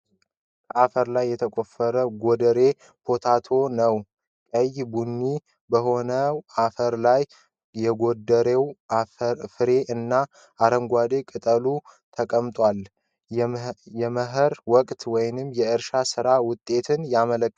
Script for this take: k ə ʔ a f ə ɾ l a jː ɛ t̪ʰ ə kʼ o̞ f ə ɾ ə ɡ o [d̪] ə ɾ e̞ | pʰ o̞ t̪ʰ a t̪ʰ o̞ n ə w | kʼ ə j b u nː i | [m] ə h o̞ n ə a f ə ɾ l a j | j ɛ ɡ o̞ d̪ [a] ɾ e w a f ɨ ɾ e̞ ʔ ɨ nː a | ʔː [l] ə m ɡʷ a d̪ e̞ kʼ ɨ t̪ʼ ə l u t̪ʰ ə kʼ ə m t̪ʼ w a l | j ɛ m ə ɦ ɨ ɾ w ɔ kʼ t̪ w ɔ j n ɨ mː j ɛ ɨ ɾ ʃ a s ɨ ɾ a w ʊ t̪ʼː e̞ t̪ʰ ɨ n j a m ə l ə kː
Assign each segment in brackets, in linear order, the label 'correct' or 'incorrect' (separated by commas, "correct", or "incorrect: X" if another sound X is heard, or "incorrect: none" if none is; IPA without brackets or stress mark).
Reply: correct, incorrect: b, incorrect: ə, incorrect: ɾ